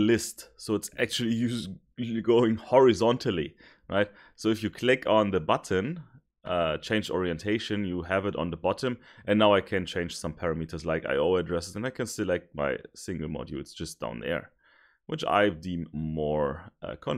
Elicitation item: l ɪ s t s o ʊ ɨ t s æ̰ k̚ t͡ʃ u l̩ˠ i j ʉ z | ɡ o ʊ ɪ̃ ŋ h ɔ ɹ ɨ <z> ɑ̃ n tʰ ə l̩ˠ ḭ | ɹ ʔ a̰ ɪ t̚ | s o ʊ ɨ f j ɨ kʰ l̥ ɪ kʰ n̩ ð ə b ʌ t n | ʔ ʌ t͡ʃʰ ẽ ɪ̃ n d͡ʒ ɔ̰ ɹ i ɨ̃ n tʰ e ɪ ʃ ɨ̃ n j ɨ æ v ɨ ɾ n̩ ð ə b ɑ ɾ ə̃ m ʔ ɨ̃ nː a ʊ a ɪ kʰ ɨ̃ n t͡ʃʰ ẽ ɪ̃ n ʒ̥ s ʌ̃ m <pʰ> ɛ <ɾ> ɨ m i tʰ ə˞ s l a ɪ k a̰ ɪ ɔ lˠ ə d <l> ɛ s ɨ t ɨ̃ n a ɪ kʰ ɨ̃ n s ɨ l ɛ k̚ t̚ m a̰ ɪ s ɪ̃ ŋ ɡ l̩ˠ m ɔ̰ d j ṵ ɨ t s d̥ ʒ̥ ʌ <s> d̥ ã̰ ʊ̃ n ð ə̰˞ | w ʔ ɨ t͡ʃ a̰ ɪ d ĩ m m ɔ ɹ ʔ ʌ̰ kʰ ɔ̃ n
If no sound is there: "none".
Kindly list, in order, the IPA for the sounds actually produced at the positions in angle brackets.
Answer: z, pʰ, ɹ, ɹ, s

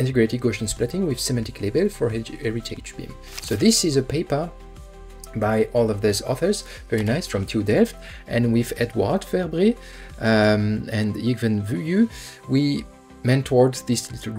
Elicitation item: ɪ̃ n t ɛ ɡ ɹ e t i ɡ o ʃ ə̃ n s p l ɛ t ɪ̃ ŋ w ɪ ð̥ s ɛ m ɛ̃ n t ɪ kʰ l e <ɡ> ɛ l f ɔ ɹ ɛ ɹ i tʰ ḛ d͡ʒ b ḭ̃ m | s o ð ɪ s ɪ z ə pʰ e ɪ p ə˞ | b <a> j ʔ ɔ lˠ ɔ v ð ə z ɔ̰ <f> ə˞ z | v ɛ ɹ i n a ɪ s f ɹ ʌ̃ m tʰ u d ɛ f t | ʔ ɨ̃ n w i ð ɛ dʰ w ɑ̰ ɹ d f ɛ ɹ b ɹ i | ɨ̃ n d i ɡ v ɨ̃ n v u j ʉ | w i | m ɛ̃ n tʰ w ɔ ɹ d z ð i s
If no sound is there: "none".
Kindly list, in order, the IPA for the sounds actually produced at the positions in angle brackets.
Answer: b, a, θ

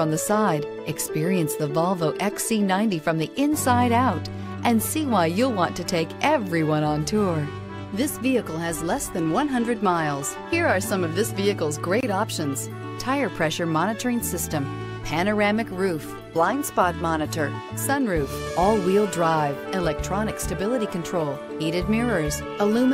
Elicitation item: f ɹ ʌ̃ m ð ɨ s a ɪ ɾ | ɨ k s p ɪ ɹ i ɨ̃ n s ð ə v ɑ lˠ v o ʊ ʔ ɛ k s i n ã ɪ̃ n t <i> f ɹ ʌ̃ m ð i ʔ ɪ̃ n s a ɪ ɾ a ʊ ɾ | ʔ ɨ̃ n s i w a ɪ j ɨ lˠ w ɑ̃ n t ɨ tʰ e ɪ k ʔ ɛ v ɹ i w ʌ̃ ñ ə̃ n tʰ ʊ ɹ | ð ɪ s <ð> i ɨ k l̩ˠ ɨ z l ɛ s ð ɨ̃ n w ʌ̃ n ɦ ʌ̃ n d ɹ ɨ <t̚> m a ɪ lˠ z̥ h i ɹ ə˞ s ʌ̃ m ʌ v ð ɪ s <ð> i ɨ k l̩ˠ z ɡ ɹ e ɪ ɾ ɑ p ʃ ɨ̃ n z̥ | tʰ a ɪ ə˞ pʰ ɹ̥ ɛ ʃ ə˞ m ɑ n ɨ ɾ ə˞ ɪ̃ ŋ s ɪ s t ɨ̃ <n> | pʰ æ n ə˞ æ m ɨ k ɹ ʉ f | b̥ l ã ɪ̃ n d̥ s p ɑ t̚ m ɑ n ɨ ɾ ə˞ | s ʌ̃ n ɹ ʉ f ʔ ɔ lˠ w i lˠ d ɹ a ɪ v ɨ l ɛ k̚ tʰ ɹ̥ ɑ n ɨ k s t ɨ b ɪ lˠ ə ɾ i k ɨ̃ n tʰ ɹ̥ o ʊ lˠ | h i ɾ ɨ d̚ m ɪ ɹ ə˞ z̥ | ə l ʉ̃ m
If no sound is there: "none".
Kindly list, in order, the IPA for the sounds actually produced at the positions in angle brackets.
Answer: i, v, d̚, v, m

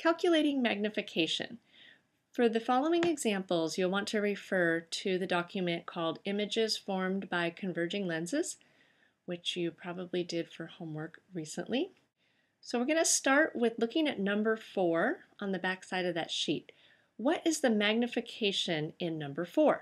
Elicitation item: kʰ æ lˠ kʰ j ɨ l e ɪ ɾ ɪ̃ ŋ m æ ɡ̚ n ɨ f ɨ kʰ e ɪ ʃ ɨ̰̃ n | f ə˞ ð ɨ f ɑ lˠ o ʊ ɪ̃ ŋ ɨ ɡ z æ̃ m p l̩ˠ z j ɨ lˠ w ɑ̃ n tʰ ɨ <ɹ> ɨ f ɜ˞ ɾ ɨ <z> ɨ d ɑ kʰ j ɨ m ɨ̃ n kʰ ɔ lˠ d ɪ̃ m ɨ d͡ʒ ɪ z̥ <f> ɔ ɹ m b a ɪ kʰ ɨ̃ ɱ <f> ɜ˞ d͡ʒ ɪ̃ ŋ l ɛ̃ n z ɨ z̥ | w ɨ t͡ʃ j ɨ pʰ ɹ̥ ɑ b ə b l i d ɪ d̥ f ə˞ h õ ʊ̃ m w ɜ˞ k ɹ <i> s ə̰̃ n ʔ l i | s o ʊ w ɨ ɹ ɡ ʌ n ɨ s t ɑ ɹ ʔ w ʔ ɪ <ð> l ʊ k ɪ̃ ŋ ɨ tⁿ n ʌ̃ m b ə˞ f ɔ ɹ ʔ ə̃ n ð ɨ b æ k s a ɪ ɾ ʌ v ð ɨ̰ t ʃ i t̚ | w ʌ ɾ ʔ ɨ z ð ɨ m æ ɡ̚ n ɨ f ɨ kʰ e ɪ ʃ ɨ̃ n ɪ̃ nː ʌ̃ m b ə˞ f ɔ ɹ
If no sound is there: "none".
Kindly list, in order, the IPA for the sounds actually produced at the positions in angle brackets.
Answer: ɹ, ð, f, v, i, ð

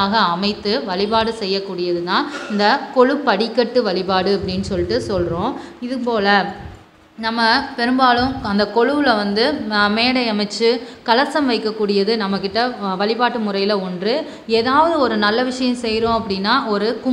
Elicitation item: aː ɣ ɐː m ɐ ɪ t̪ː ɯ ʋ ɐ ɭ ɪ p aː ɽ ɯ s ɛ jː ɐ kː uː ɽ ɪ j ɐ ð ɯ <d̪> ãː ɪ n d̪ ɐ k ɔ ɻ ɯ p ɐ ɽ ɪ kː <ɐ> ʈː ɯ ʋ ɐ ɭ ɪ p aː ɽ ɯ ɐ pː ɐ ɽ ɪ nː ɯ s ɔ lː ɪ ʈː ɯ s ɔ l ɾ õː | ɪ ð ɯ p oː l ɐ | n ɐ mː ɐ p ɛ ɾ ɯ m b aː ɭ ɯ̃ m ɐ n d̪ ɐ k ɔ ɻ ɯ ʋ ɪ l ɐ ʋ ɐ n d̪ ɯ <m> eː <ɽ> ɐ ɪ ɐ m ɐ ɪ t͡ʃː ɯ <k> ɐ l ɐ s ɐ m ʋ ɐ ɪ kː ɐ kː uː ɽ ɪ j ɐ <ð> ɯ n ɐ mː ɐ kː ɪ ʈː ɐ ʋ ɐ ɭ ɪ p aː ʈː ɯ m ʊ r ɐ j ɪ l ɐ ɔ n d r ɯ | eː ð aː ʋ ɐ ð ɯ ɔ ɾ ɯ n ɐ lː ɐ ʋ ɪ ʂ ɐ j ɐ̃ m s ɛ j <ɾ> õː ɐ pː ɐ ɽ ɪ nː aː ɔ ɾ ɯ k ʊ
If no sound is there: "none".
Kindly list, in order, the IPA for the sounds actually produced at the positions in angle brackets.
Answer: t̪, ɐ, m, ɽ, k, ð, ɾ

